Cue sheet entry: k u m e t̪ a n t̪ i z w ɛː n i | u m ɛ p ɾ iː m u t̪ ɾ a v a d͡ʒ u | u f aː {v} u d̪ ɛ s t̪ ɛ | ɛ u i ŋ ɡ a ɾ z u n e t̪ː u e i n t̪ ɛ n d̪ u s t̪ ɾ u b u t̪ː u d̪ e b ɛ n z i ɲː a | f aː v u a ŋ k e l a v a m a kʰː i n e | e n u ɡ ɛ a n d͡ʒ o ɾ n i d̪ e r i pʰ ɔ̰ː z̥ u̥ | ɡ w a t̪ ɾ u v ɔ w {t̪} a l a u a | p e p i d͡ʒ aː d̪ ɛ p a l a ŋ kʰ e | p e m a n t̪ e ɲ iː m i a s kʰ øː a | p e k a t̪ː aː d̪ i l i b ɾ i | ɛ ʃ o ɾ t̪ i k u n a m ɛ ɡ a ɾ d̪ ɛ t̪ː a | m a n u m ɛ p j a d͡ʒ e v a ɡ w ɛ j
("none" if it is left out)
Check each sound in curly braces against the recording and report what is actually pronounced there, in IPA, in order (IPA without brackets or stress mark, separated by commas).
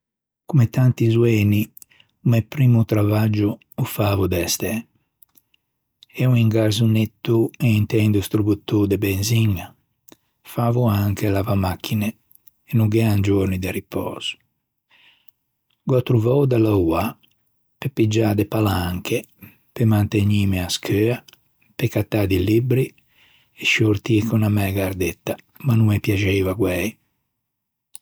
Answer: v, d̪